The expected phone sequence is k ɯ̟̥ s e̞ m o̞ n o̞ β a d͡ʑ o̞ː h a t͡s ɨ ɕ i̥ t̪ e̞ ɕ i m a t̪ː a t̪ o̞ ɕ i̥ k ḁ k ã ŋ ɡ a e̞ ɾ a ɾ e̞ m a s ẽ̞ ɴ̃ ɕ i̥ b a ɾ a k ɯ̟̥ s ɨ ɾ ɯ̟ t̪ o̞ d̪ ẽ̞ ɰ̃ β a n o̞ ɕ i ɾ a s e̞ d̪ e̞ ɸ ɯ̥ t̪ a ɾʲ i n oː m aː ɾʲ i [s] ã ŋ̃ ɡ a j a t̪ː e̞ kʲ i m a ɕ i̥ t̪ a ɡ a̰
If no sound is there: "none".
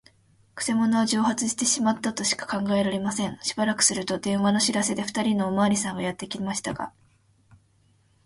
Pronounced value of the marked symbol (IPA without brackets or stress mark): s